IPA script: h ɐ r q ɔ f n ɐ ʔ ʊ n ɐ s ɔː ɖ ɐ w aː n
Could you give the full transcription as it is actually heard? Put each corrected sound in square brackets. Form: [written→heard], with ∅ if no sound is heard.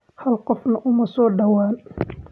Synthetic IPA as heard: h ɐ [r→l] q ɔ f n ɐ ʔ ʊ [n→m] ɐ s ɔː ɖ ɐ w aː n